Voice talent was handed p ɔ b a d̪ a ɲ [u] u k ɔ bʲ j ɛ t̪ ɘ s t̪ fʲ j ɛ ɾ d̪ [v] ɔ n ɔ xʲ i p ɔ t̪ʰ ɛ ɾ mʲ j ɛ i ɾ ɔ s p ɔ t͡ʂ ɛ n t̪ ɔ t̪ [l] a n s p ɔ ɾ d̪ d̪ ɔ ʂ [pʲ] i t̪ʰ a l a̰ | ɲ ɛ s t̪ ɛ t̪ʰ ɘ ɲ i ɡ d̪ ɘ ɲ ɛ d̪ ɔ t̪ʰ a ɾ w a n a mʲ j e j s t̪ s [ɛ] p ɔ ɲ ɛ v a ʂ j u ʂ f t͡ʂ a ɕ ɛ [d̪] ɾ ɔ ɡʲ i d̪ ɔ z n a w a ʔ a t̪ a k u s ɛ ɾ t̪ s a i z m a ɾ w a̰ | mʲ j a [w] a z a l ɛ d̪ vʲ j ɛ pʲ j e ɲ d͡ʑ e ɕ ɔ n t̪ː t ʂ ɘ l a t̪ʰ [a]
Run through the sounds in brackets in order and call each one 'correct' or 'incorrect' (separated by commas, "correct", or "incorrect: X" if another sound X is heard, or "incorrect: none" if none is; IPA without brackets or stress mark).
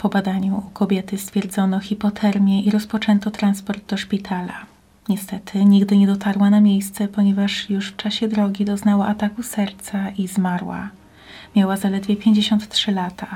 correct, incorrect: z, incorrect: ɾ, correct, correct, correct, correct, correct